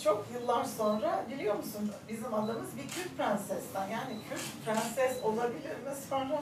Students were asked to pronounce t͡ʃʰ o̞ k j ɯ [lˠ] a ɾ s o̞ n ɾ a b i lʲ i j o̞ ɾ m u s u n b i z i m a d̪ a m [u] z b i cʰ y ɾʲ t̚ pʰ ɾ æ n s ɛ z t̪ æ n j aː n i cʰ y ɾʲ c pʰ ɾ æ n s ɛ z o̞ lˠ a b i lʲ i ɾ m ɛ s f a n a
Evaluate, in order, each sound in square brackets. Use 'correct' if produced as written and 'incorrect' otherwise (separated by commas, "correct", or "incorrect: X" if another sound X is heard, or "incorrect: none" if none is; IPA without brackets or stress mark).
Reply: incorrect: lˠː, incorrect: ɯ